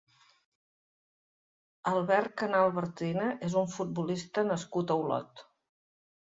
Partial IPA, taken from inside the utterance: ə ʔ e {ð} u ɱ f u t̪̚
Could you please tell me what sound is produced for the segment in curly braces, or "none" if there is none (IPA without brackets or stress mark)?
z